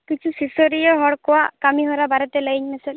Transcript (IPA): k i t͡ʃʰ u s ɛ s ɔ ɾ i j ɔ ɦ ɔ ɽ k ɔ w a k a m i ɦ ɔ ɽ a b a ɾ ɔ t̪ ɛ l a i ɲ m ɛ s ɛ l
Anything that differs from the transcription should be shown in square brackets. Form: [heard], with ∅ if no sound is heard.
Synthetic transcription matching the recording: k i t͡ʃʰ u s [i] s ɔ ɾ i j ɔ ɦ ɔ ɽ k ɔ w a k a m i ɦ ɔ [ɾ] a b a ɾ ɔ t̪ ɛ l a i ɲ m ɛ s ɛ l